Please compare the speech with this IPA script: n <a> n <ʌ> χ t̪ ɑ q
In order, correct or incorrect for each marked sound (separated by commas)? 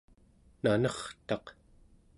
correct, correct